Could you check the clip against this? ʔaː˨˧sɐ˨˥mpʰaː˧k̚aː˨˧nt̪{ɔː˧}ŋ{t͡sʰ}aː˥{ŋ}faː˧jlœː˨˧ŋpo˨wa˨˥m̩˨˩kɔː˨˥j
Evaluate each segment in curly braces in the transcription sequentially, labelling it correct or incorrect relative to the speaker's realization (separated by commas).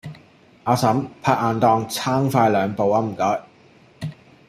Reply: correct, correct, correct